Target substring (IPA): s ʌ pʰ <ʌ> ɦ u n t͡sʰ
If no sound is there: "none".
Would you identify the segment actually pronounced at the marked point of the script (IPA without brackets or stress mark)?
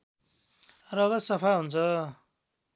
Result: a